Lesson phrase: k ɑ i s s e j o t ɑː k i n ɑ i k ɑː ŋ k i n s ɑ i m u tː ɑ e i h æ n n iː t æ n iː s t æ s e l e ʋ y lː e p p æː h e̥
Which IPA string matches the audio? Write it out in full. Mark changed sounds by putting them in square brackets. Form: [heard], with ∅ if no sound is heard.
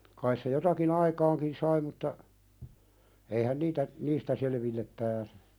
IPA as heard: k ɑ i s s e j o t [ɑ] k i n ɑ i k ɑː ŋ k i n s ɑ i m u tː ɑ e i h æ n n iː t æ n iː s t æ s e l e ʋ [i] lː e p p æː [s] e̥